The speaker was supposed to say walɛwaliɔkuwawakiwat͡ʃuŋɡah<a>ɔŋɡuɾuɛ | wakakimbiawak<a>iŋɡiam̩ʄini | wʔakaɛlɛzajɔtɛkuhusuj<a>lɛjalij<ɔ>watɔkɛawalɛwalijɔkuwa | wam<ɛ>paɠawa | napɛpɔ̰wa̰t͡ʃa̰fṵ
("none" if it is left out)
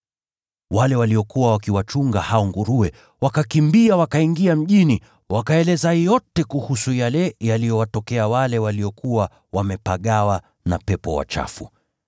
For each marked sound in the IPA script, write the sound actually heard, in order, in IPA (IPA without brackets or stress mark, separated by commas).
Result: a, a, a, ɔ, ɛ